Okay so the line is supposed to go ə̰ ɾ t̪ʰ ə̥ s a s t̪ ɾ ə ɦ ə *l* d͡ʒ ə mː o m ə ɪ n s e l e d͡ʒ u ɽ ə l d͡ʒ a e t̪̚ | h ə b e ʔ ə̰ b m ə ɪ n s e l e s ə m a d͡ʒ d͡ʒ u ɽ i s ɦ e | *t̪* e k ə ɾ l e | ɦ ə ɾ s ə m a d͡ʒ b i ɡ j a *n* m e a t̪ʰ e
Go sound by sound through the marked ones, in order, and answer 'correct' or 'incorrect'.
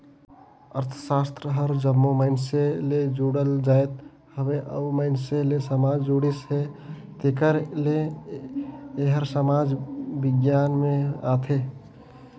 incorrect: ɾ, correct, correct

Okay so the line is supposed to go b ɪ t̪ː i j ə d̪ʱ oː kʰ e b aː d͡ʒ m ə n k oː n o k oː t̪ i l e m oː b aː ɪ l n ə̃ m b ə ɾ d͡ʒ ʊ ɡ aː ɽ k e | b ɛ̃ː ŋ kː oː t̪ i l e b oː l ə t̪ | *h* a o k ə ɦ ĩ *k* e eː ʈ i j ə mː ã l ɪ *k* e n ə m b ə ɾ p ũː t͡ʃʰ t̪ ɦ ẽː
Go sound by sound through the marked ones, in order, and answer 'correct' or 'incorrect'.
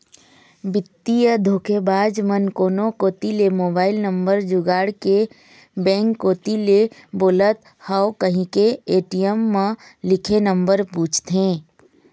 correct, correct, incorrect: kʰ

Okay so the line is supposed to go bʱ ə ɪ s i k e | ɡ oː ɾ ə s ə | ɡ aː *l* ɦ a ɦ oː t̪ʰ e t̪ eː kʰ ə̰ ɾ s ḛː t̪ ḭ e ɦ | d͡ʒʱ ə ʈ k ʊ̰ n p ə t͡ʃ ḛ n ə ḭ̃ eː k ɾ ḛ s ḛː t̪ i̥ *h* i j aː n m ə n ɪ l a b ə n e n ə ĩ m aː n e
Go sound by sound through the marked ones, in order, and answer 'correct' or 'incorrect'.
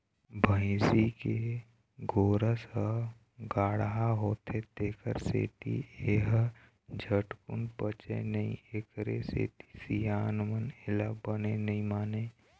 incorrect: ɽ, incorrect: s

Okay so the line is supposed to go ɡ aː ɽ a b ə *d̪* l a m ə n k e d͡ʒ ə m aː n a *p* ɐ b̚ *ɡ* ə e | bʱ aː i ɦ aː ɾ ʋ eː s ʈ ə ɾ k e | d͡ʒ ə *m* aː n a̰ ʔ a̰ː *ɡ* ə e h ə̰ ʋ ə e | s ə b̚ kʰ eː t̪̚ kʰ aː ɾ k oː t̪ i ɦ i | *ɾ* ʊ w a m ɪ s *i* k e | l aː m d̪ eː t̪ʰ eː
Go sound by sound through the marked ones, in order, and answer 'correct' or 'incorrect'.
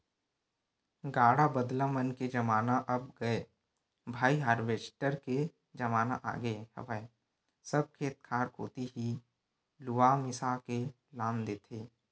correct, incorrect: ʔ, correct, correct, correct, incorrect: l, incorrect: a

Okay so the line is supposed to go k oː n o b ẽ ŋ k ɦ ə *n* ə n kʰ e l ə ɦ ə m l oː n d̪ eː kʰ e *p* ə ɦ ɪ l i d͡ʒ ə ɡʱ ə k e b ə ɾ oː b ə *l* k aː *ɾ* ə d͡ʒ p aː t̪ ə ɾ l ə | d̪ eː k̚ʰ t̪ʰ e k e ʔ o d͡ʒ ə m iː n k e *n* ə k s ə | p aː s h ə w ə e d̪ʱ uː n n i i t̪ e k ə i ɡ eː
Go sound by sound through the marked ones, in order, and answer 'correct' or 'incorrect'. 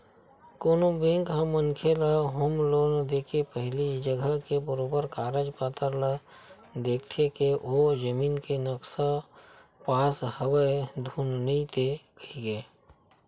incorrect: m, correct, incorrect: ɾ, correct, correct

